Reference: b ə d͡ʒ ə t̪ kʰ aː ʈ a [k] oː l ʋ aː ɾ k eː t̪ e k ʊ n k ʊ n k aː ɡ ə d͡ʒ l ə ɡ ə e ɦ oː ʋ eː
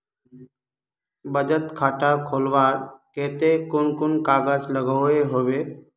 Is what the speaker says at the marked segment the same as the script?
no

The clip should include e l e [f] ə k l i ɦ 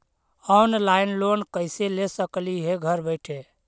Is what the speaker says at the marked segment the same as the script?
no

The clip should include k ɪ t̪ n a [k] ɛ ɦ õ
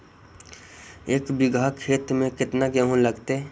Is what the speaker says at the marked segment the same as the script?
no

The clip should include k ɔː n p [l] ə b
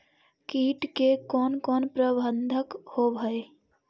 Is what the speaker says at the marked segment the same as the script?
no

